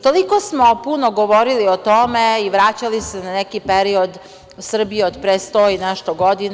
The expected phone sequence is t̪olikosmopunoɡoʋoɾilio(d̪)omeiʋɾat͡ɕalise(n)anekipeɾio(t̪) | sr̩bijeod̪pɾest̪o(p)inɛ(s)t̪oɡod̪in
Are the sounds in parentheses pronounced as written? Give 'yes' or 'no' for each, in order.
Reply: no, yes, no, no, no

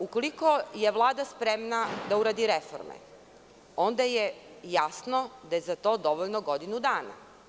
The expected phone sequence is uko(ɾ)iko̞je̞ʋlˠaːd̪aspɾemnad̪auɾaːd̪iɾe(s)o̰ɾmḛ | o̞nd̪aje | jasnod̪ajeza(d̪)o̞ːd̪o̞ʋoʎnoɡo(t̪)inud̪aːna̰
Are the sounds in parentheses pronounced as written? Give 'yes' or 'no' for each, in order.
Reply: no, no, no, no

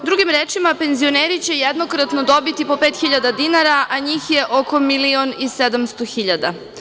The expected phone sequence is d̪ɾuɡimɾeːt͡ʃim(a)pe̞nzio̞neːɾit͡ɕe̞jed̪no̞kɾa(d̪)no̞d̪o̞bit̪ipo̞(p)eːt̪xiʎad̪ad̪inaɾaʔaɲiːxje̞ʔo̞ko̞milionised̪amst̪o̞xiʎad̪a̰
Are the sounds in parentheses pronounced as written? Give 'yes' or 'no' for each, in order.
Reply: yes, no, yes

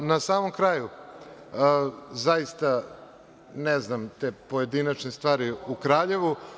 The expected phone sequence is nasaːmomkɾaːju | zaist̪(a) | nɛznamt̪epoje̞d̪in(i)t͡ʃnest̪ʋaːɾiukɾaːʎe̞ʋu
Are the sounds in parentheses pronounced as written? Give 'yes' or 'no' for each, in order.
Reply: yes, no

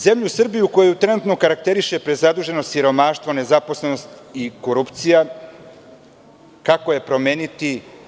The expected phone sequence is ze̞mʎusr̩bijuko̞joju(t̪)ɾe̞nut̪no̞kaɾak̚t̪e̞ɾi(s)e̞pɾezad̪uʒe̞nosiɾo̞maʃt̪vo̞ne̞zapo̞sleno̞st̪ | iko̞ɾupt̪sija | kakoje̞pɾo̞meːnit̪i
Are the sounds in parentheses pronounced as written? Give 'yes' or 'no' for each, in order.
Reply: yes, no

